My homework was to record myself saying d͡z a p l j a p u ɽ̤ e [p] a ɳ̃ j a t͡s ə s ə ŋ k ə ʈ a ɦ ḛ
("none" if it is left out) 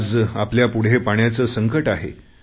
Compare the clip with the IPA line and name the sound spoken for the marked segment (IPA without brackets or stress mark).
p